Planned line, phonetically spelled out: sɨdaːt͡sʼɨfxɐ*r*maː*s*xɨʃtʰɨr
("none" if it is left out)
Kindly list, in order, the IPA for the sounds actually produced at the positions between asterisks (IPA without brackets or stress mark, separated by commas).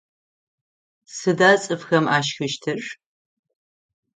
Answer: none, ʃ